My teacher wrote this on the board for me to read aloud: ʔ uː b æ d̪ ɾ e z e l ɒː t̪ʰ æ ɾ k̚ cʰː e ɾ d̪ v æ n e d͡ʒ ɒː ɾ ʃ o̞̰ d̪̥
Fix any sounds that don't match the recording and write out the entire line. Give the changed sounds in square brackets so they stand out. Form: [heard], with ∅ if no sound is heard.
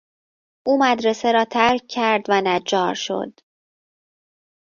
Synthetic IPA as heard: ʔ uː [m] æ d̪ ɾ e [s] e [ɾ] ɒː t̪ʰ æ ɾ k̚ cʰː [æ] ɾ d̪ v æ n [æ] d͡ʒ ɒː ɾ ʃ o̞̰ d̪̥